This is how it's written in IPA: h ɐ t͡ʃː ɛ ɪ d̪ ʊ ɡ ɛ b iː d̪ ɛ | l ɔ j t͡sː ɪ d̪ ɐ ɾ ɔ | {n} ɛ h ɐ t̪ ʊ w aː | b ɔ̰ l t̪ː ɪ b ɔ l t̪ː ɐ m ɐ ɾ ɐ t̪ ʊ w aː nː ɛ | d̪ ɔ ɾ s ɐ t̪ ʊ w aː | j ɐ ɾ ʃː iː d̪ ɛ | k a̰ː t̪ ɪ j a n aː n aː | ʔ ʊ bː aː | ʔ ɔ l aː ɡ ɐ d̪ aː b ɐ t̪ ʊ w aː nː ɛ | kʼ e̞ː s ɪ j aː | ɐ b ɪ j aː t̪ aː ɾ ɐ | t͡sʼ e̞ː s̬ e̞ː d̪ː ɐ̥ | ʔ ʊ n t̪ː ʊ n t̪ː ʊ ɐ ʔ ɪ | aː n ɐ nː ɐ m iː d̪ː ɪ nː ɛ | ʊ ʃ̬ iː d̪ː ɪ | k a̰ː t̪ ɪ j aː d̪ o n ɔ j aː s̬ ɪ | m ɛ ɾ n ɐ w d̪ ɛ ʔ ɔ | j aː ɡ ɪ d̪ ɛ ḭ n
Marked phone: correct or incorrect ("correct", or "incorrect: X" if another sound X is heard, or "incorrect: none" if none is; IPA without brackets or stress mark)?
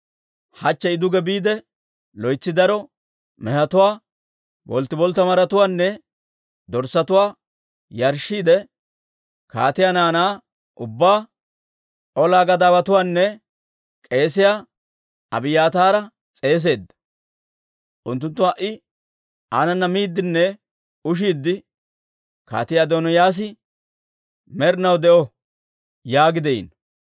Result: incorrect: m